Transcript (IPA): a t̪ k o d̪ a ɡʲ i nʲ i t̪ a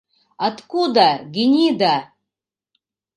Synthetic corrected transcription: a t̪ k u d̪ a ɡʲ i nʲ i d̪ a